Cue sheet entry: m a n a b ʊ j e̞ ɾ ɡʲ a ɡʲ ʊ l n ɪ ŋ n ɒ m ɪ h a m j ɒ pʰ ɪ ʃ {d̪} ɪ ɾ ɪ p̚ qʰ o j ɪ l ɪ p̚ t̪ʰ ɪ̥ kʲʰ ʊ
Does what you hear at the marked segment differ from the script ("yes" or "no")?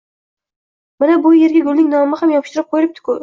yes